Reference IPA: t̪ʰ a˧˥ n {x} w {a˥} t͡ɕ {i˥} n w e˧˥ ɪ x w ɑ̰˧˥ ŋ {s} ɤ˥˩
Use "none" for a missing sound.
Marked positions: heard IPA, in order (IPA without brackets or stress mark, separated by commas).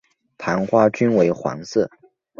x, a˥, y˥, s